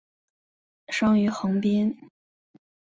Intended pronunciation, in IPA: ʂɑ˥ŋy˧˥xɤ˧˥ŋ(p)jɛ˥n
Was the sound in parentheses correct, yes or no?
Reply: yes